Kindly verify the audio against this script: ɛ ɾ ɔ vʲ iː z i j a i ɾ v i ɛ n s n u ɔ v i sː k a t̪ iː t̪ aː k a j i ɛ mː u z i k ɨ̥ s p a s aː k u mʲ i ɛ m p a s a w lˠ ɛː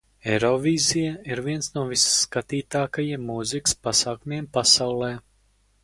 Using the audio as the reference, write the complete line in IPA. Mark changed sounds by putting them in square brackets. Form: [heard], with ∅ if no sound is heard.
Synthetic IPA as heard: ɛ ɾ ɔ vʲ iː z i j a i ɾ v i ɛ n s n u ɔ v i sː k a t̪ iː t̪ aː k a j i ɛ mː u z i k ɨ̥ s p a s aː k u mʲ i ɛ m p a s a w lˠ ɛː